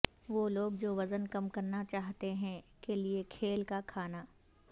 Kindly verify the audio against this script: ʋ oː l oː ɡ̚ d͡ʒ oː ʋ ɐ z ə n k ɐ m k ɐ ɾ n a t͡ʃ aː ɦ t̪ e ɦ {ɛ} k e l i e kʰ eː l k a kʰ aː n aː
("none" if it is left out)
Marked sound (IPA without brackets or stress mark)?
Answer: ɛ̃